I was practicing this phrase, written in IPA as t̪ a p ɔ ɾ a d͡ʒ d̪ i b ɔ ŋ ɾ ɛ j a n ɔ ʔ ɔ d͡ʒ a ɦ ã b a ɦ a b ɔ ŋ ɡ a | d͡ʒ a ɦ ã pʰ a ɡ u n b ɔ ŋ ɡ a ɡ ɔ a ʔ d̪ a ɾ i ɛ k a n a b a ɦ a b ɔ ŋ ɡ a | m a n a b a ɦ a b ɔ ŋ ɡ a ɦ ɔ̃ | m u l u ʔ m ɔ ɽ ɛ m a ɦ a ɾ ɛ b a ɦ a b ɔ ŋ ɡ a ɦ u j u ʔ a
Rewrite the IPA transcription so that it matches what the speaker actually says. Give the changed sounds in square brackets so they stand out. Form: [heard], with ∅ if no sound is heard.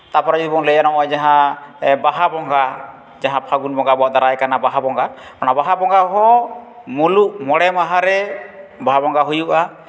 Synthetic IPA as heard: t̪ a p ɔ ɾ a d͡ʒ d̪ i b ɔ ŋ [l] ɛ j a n ɔ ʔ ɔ d͡ʒ a ɦ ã b a ɦ a b ɔ ŋ ɡ a | d͡ʒ a ɦ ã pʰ a ɡ u n b ɔ ŋ ɡ a [b] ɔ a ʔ d̪ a ɾ [a] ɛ k a n a b a ɦ a b ɔ ŋ ɡ a | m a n a b a ɦ a b ɔ ŋ ɡ a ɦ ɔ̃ | m u l u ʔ m ɔ ɽ ɛ m a ɦ a ɾ ɛ b a ɦ a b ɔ ŋ ɡ a ɦ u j u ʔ a